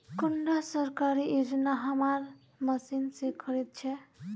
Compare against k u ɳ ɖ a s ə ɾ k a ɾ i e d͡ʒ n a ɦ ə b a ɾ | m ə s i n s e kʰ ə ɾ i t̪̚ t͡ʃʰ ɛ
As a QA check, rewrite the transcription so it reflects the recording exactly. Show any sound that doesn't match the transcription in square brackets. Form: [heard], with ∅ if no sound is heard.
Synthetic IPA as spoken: k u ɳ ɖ a s ə ɾ k a ɾ i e d͡ʒ n a ɦ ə [m] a ɾ | m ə s i n s e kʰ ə ɾ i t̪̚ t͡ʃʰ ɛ